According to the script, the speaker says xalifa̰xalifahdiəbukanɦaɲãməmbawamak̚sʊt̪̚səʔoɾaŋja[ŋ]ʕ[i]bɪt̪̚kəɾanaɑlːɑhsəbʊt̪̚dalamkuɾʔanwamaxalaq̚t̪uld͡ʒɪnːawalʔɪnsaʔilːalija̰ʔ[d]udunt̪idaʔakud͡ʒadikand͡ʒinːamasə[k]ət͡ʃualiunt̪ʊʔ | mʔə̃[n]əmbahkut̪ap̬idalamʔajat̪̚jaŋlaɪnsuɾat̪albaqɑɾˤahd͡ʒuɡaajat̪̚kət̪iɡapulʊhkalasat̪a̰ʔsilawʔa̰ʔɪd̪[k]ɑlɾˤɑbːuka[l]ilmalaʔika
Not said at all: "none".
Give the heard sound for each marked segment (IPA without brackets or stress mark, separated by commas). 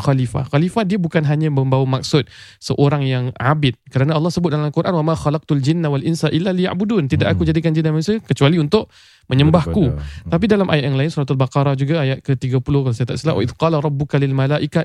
ŋ, a, b, k, ɲ, q, l